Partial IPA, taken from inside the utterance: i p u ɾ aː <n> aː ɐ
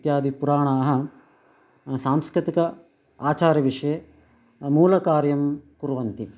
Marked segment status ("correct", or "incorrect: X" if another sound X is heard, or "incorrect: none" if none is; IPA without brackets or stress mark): incorrect: ɳ